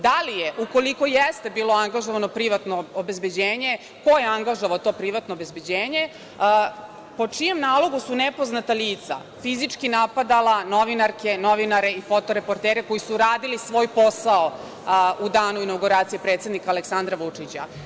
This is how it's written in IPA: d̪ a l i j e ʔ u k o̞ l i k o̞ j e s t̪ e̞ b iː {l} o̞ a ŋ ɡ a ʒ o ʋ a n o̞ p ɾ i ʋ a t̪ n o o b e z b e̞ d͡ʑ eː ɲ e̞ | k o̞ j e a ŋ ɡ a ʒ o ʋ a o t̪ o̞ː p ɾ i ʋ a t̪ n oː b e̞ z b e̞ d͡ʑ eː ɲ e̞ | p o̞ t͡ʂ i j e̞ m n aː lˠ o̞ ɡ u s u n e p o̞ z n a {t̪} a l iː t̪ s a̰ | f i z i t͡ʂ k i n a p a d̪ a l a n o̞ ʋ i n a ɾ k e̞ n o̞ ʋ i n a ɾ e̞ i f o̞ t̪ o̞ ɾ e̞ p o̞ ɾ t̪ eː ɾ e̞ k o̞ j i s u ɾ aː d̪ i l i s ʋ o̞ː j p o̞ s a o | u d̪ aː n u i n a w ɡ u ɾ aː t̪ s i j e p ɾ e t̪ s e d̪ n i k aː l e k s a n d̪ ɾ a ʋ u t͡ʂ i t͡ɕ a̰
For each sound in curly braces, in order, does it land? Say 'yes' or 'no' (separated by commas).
yes, yes